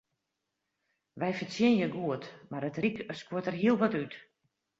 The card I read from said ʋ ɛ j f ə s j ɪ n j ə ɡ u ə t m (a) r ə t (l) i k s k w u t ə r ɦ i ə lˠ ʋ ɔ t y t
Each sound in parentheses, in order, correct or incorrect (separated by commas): correct, incorrect